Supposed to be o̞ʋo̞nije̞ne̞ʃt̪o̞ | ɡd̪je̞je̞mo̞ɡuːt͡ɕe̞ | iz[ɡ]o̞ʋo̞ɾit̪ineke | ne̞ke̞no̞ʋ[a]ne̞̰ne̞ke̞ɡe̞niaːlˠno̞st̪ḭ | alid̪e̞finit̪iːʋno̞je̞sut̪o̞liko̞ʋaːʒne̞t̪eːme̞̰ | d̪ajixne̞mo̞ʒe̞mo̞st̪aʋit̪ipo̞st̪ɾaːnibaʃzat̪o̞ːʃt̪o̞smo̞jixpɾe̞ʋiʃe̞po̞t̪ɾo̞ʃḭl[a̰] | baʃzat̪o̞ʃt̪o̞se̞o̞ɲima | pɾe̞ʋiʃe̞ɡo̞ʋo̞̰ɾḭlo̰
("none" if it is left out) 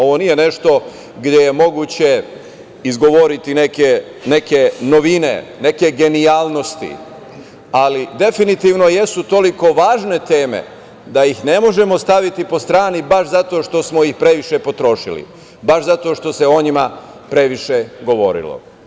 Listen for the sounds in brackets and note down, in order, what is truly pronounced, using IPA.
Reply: ɡ, i, ḭ

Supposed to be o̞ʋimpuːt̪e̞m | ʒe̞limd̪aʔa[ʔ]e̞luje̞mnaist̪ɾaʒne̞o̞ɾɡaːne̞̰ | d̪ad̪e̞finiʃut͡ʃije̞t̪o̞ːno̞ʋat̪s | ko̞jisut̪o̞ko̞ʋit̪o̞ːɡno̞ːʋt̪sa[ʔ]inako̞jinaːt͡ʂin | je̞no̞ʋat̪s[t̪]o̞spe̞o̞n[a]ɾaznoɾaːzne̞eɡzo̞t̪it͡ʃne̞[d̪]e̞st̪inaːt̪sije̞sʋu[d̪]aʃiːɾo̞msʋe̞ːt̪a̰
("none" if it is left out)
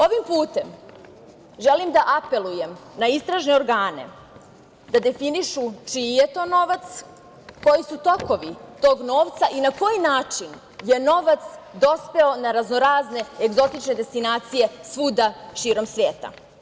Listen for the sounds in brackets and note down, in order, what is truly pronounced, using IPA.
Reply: p, ʔ, d̪, a, d̪, d̪

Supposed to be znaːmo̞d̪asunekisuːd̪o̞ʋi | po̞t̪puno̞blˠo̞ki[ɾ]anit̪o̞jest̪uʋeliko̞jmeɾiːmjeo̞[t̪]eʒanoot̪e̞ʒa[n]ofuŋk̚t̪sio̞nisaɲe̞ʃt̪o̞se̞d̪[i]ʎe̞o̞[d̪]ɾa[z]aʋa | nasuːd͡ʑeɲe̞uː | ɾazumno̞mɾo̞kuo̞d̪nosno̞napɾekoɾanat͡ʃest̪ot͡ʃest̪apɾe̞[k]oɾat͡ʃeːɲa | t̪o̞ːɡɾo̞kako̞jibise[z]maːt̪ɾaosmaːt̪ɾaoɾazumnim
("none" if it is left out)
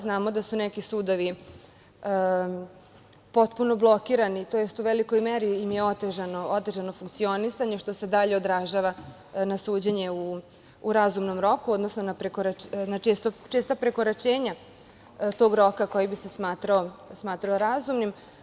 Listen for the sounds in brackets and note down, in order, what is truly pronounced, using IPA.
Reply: ɾ, t̪, n, a, d̪, ʒ, k, s

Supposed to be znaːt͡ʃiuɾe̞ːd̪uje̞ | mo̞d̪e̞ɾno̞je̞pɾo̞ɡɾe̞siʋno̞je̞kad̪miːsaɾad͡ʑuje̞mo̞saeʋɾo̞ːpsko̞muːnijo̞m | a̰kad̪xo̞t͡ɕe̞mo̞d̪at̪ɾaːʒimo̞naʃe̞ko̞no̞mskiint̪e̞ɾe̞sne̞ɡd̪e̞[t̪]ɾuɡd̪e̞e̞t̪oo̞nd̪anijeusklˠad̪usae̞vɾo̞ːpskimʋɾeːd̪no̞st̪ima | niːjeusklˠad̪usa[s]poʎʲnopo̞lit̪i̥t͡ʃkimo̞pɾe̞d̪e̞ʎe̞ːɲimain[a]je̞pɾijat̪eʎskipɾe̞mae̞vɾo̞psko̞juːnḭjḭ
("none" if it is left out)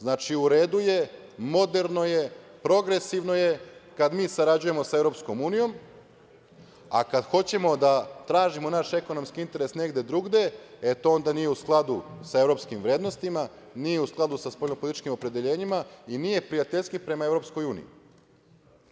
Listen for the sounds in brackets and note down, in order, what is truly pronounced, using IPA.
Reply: d̪, s, i

